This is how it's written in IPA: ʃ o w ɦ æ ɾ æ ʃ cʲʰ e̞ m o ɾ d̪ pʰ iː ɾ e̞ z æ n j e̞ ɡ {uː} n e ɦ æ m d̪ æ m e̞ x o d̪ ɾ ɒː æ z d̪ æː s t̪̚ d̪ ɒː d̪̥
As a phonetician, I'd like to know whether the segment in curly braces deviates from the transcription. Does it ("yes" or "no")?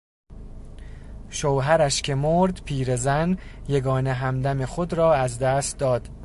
yes